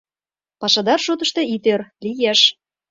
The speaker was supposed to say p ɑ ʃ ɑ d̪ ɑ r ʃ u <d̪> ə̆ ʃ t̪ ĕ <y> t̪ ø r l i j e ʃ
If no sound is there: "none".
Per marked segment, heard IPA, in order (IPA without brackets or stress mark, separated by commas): t̪, i